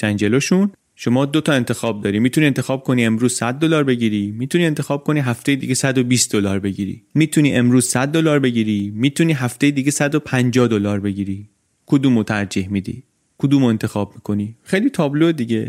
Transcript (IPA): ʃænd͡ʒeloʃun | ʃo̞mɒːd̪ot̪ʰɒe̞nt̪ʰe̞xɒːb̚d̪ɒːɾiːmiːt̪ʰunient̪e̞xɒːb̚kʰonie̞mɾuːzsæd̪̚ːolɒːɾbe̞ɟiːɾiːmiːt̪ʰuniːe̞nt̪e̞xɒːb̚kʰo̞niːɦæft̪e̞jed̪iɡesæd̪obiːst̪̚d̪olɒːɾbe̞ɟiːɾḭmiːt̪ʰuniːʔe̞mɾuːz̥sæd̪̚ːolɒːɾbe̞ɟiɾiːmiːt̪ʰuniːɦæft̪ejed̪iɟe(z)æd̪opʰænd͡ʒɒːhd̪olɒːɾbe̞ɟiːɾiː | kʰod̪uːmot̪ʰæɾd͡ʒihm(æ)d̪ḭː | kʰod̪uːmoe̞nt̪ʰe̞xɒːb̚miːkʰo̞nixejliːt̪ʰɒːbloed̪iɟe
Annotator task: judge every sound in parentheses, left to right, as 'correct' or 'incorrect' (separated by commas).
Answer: incorrect, incorrect